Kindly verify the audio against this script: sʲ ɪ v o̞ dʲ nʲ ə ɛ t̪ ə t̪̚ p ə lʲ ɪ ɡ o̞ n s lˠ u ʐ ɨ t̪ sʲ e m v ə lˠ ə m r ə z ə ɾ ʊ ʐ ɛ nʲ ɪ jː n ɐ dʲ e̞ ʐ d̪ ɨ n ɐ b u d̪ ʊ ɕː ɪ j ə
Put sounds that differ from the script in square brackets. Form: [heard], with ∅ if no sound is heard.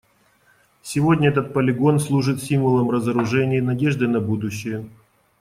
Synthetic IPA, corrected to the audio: sʲ ɪ v o̞ dʲ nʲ ə ɛ t̪ ə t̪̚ p ə lʲ ɪ ɡ o̞ n s lˠ u ʐ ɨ t̪ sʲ [i] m v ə lˠ ə m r ə z ə ɾ ʊ ʐ ɛ nʲ ɪ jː n ɐ dʲ e̞ ʐ d̪ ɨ n ɐ b u d̪ ʊ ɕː ɪ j ə